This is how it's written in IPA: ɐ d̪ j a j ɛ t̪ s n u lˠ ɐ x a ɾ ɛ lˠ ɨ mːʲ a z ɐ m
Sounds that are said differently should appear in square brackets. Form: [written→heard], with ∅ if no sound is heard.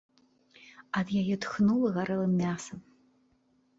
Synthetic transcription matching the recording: ɐ d̪ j a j ɛ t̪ [s→x] n u lˠ ɐ [x→ɣ] a ɾ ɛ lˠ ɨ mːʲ a [z→s] ɐ m